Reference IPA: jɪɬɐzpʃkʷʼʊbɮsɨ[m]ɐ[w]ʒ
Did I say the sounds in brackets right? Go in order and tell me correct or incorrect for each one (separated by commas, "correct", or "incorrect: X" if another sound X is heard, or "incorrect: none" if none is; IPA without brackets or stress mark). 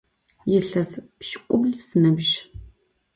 incorrect: n, incorrect: b